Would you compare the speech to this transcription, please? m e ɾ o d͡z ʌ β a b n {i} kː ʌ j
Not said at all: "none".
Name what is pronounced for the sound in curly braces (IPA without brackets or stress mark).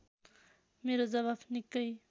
i